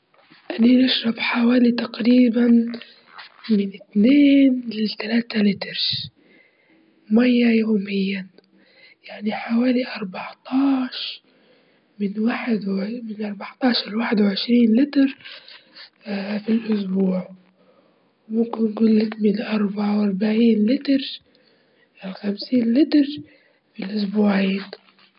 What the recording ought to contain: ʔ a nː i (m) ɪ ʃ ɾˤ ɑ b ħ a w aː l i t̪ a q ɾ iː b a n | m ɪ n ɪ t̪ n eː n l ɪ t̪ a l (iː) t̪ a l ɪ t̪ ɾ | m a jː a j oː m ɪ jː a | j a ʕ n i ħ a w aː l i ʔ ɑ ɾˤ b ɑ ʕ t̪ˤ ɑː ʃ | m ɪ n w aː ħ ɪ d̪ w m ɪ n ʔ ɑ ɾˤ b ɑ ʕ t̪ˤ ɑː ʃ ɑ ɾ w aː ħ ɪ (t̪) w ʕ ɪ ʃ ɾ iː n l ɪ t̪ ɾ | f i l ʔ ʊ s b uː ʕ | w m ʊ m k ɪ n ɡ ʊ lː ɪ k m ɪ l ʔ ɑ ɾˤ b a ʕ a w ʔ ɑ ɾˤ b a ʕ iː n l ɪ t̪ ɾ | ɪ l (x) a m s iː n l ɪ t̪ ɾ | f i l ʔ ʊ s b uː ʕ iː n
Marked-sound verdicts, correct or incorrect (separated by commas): incorrect, incorrect, incorrect, correct